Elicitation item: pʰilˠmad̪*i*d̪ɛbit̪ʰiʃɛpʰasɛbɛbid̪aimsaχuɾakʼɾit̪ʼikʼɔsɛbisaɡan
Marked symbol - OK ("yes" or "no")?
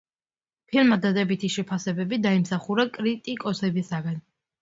no